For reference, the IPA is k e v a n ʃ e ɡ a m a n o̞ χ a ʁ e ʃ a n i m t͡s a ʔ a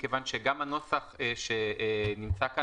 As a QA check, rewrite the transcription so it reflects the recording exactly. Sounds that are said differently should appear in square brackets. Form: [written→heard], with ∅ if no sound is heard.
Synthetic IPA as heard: k e v a n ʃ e ɡ a m a n o̞ [χ→s] a [ʁ→χ] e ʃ [a→e] n i m t͡s a [ʔ→k] a